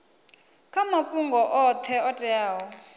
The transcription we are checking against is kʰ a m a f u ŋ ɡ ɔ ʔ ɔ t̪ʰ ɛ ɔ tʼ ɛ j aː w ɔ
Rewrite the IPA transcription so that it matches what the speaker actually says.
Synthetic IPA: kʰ a m a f u ŋ ɡ ɔ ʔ ɔ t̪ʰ ɛ ɔ tʼ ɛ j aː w ɔ